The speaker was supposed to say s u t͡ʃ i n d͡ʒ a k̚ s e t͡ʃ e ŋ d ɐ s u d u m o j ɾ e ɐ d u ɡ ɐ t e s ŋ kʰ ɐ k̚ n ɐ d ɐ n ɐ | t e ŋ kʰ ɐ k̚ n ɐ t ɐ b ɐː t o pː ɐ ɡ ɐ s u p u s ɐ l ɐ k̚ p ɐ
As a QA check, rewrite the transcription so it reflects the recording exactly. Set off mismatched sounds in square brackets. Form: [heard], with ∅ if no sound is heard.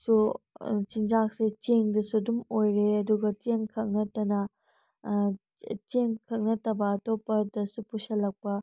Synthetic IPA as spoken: s u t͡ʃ i n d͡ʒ a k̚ s e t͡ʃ e ŋ d ɐ s u d u m o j ɾ e ɐ d u ɡ ɐ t e [∅] ŋ kʰ ɐ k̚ n ɐ [t] ɐ n ɐ | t e ŋ kʰ ɐ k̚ n ɐ t ɐ b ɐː t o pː ɐ [d] ɐ s u p u s ɐ l ɐ k̚ p ɐ